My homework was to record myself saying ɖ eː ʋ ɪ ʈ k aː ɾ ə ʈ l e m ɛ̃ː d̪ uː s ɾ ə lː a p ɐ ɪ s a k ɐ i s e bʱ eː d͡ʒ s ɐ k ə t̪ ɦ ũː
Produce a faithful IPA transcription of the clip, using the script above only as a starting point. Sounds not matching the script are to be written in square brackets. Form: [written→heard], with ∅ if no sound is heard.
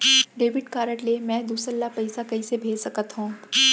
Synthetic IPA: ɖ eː ʋ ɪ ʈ k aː ɾ ə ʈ l e m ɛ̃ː d̪ uː s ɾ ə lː a p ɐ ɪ s a k ɐ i s e bʱ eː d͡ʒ s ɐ k ə t̪ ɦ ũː